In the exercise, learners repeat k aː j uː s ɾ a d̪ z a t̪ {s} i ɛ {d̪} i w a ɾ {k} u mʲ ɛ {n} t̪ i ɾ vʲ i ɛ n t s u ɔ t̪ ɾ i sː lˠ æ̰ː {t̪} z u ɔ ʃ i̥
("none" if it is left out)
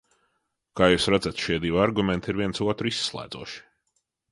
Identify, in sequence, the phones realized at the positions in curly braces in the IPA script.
ʃ, d̪, ɡ, n, d̪

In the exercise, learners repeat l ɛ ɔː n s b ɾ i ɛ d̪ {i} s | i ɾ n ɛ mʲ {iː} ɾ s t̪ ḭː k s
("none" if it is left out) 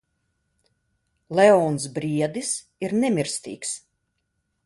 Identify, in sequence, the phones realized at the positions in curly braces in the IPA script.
i, i

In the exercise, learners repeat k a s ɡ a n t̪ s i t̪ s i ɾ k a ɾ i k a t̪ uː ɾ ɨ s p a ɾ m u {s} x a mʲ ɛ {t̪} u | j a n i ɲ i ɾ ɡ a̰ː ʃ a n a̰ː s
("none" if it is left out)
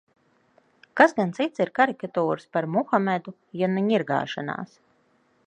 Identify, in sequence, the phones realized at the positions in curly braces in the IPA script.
none, d̪

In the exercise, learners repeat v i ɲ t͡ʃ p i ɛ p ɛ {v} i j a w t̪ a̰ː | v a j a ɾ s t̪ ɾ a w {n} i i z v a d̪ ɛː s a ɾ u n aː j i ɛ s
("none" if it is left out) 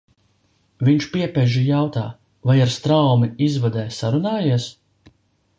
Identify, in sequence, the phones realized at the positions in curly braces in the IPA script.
ʒ, m

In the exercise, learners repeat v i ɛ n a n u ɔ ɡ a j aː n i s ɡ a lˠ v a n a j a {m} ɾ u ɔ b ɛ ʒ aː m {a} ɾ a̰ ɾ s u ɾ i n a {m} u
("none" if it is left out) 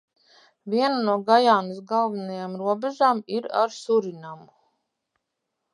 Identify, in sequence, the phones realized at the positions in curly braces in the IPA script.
m, i, m

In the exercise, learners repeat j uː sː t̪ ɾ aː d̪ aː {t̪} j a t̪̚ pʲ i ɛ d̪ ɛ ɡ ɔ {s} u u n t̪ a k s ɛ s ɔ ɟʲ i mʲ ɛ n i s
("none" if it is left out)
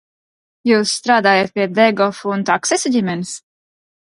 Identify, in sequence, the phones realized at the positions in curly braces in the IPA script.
none, f

